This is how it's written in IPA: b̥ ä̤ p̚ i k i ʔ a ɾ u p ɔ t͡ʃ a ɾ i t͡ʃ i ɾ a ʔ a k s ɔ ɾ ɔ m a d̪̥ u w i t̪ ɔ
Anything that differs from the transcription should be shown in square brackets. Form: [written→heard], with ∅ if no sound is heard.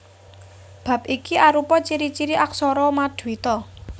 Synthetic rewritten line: b̥ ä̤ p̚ i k i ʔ a ɾ u p ɔ t͡ʃ [a→i] ɾ i t͡ʃ i ɾ [a→i] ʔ a k s ɔ ɾ ɔ m a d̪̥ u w i t̪ ɔ